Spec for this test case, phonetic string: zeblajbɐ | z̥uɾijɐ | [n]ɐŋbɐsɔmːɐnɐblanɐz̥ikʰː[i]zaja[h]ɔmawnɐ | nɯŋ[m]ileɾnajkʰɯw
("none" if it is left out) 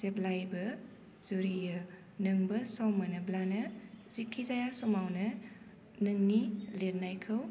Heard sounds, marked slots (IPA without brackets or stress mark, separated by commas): n, i, s, n